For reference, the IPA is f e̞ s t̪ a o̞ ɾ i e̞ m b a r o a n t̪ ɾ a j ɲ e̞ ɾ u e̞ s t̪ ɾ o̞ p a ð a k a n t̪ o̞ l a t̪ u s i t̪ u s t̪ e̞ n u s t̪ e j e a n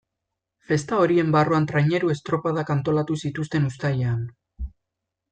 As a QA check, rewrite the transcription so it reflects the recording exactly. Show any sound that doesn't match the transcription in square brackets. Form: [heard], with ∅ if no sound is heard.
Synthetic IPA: f e̞ s t̪ a o̞ ɾ i e̞ m b a r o a n t̪ ɾ a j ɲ e̞ ɾ u e̞ s t̪ ɾ o̞ p a ð a k a n t̪ o̞ l a t̪ u s i t̪ u s t̪ e̞ n u s t̪ [a] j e a n